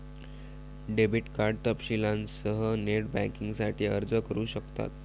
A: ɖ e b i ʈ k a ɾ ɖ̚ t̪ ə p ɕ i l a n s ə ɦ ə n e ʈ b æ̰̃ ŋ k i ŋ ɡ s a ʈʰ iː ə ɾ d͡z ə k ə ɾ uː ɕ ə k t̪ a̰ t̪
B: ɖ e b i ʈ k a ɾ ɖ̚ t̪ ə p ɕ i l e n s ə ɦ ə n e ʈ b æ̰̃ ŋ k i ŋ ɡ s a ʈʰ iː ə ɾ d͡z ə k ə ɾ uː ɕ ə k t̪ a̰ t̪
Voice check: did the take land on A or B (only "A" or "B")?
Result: A